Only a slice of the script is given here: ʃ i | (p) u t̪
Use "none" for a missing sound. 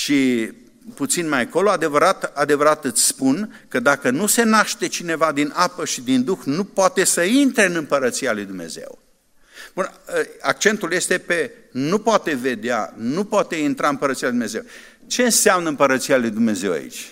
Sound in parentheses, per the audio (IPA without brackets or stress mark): p